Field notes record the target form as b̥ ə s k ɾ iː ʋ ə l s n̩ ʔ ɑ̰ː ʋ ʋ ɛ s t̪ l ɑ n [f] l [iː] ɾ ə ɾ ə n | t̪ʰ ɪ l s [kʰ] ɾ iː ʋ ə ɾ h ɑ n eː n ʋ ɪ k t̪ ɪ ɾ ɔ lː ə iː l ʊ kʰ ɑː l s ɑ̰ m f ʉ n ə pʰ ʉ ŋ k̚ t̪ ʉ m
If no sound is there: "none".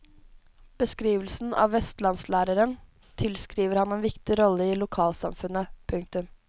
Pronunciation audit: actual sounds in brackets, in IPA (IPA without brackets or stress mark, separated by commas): s, æː, k